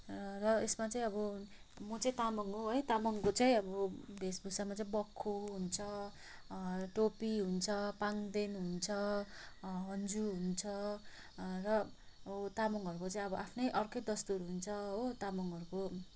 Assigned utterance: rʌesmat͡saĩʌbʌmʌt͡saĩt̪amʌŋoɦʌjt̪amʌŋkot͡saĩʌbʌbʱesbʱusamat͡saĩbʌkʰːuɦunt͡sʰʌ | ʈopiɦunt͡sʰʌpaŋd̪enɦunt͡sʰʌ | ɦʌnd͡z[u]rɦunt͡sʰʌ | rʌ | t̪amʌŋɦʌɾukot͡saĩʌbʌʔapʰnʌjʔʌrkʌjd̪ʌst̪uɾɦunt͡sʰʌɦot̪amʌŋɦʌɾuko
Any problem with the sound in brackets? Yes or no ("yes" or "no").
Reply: no